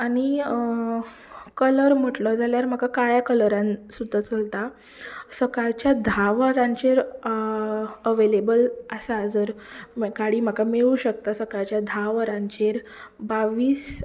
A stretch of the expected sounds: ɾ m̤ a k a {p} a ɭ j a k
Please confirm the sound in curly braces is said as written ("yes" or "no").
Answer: no